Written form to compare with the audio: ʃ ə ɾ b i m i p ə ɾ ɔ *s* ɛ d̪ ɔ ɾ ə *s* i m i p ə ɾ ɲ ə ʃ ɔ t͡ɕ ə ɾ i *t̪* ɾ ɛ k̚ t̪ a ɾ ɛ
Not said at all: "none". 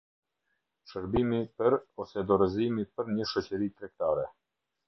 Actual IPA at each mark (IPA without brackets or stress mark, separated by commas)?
s, z, t̪